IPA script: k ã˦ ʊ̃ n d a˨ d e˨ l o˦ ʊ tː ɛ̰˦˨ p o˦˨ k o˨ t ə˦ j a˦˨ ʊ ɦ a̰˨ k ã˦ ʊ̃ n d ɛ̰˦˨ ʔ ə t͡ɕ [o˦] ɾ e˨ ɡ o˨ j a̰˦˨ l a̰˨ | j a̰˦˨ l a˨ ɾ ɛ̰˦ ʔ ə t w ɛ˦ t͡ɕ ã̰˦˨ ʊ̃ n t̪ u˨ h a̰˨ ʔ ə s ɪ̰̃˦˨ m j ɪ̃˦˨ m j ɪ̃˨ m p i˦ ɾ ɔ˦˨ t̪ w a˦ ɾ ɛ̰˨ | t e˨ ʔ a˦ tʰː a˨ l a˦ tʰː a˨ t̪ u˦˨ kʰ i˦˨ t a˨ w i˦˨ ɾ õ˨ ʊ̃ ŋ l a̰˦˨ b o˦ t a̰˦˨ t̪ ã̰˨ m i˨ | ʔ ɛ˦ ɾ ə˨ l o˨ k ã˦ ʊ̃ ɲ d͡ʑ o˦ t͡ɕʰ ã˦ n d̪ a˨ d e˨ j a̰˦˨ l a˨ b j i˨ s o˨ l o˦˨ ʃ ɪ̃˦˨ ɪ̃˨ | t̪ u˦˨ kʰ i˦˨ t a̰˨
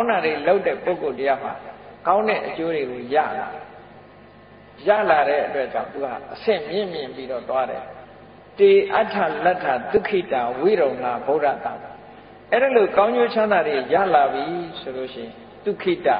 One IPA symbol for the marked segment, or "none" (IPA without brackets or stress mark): o˦